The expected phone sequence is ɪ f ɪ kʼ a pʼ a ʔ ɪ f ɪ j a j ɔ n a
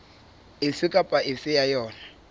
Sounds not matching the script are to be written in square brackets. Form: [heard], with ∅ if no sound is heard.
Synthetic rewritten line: ɪ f ɪ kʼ a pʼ a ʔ ɪ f ɪ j a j [ɔː] n a